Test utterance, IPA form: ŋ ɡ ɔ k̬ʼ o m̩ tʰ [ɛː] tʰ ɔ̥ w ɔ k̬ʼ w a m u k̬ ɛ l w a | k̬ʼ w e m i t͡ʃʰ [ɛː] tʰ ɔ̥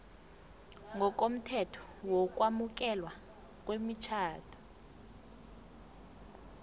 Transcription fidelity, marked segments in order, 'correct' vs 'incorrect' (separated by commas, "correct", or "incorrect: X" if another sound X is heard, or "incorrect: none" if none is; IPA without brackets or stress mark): incorrect: ɛ, incorrect: aː